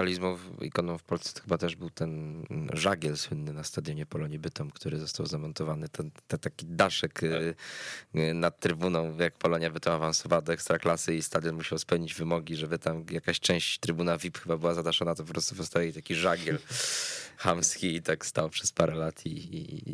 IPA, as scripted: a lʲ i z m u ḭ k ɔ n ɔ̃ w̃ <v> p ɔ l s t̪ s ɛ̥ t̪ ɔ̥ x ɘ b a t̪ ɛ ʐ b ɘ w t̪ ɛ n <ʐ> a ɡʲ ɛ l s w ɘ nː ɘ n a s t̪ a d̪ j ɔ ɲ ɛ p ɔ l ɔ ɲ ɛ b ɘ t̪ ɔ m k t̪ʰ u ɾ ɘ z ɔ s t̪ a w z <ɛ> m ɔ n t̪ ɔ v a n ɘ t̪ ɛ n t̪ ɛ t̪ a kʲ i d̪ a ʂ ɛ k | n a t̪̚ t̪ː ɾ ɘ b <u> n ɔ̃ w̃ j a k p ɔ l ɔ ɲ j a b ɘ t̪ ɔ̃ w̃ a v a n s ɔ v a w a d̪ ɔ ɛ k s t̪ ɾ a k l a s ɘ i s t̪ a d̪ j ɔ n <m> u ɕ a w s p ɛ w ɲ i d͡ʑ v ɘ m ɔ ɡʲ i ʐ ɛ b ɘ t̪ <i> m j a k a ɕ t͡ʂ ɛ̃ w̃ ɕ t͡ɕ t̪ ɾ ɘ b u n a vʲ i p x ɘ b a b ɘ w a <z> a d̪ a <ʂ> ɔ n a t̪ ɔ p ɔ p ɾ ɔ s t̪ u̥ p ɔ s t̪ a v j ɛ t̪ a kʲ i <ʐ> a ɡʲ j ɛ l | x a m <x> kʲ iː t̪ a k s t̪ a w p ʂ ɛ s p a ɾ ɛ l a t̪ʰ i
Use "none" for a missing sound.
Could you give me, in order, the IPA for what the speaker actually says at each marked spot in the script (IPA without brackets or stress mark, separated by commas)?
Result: f, ʐ, a, u, m, a, z, ʂ, ʐ, s